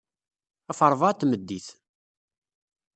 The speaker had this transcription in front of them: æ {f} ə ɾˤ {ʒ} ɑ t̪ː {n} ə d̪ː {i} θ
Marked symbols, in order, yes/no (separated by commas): yes, no, no, yes